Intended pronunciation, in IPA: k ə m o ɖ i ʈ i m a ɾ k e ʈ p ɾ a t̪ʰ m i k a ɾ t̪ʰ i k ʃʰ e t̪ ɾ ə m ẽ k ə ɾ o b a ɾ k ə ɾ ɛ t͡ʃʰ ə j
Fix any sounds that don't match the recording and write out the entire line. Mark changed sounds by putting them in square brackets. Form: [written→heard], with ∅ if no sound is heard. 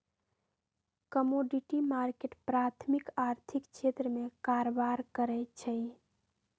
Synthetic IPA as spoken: k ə m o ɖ i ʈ i m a ɾ k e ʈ p ɾ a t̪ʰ m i k a ɾ t̪ʰ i k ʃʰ e t̪ ɾ ə m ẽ k [ə→a] ɾ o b a ɾ k ə ɾ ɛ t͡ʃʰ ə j